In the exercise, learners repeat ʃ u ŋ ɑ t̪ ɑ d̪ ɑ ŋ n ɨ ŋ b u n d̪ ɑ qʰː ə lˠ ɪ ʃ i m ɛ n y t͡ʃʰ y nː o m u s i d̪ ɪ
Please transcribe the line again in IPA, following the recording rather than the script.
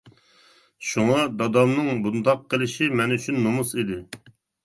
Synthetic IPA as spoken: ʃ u ŋ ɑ d̪ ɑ d̪ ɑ m n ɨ ŋ b u n d̪ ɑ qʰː ə lˠ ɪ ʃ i m ɛ n y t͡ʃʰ y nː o m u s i d̪ ɪ